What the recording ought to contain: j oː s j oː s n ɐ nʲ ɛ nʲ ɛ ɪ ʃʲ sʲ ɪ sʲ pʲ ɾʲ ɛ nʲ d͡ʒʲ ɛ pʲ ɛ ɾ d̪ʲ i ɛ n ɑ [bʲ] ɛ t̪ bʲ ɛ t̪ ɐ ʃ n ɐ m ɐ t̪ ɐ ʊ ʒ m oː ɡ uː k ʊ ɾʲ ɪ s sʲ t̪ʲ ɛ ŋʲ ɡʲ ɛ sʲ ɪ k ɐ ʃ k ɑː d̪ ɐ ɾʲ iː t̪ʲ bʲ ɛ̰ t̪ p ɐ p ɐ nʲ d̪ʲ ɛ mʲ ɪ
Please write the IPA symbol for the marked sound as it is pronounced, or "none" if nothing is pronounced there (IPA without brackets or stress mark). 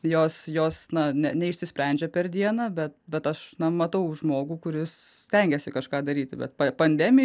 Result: bʲ